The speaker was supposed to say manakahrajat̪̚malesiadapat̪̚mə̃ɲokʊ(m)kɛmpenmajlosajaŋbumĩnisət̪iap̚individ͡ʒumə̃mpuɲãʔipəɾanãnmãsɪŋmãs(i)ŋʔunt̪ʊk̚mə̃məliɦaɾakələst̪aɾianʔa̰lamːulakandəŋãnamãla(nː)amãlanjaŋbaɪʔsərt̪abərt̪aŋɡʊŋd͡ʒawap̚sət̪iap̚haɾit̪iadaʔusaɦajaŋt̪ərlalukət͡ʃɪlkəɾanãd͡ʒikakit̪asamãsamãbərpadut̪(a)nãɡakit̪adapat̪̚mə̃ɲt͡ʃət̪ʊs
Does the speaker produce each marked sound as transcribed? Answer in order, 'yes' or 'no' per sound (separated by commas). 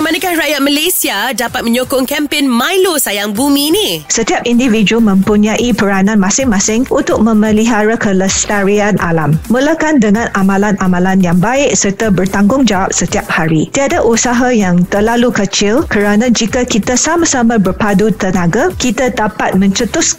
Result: no, no, no, no